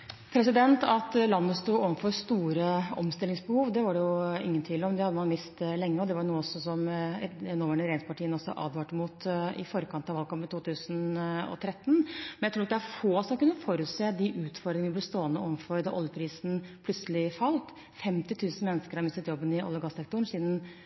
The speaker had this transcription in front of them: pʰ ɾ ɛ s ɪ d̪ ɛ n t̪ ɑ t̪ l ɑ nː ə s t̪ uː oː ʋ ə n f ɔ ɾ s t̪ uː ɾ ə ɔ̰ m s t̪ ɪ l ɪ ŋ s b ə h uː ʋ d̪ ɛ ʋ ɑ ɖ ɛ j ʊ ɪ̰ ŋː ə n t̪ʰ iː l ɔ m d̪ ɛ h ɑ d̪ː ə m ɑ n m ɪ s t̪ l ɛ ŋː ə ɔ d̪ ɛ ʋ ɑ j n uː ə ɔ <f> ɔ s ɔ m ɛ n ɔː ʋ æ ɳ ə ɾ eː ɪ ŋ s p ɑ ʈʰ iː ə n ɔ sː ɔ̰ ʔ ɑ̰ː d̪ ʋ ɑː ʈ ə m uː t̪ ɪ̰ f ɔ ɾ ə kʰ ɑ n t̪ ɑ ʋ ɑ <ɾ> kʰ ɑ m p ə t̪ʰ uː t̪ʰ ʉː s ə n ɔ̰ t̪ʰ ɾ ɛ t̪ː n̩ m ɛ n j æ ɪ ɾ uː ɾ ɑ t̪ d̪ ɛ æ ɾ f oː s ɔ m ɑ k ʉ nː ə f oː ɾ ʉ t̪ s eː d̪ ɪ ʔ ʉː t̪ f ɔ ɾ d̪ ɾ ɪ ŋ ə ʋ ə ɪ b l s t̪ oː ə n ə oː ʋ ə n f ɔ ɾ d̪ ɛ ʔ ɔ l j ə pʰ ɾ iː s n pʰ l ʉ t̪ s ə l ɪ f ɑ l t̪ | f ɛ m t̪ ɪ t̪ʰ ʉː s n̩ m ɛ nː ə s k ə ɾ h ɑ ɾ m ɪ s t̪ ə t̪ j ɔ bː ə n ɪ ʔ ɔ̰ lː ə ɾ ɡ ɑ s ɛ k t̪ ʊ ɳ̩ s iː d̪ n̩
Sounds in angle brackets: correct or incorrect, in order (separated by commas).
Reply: incorrect, incorrect